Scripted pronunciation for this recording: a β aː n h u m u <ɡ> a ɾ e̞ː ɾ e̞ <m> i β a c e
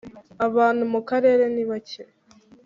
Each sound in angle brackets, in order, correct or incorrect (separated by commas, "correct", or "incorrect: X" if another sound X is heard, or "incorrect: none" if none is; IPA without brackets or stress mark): incorrect: k, incorrect: n